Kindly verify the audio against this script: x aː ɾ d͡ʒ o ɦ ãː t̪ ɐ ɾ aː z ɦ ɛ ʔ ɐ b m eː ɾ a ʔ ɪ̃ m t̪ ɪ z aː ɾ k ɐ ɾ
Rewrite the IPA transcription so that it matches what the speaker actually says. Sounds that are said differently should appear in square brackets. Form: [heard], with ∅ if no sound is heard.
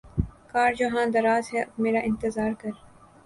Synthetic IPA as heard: [k] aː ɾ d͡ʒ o ɦ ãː [d̪] ɐ ɾ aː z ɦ ɛ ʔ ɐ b m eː ɾ a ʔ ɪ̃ [n] t̪ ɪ z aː ɾ k ɐ ɾ